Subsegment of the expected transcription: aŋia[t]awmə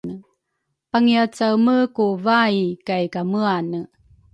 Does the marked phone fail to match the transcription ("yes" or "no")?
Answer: yes